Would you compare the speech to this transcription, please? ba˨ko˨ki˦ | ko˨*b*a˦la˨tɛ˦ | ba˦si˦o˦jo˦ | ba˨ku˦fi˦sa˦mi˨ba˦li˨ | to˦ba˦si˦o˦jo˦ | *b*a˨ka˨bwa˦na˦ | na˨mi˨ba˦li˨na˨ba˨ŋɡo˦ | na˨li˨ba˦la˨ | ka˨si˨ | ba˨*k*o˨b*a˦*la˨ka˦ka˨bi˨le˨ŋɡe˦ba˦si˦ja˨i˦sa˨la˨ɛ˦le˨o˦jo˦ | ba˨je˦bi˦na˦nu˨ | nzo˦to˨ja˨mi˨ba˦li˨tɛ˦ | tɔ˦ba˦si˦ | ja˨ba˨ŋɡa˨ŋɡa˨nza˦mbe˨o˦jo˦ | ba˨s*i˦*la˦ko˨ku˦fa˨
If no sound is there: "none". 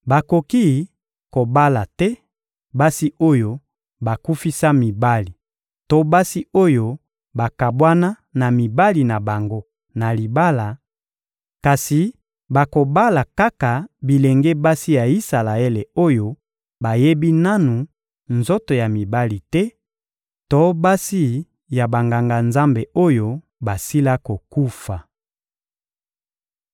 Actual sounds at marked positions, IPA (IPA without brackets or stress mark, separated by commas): b, b, k, a˦, i˦